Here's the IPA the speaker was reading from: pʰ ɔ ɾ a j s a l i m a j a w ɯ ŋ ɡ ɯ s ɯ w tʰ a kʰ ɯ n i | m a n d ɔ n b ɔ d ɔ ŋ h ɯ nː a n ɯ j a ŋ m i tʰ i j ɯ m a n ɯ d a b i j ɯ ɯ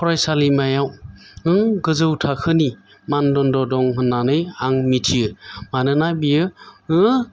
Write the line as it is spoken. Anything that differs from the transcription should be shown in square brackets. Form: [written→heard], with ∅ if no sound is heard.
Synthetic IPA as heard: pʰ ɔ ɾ a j s a l i m a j a w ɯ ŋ ɡ ɯ [s→z] ɯ w tʰ a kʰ ɯ n i | m a n d ɔ n [b→d] ɔ d ɔ ŋ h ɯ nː a n ɯ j a ŋ m i tʰ i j ɯ m a n ɯ [d→n] a b i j ɯ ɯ